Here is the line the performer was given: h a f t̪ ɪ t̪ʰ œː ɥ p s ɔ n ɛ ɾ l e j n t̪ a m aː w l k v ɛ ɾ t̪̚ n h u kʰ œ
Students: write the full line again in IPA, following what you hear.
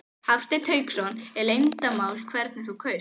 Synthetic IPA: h a f t̪ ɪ t̪ʰ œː ɥ k s ɔ n ɛ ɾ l e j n t̪ a m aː w l kʰ v ɛ ɾ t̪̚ n θ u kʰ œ